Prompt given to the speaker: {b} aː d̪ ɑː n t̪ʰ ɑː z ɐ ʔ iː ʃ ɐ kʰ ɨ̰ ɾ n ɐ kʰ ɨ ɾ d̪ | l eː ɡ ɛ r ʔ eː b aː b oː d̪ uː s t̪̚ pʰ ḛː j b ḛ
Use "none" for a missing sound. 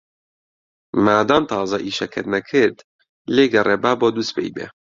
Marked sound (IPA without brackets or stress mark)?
m